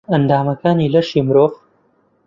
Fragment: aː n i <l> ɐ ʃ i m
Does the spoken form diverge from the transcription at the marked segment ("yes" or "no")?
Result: no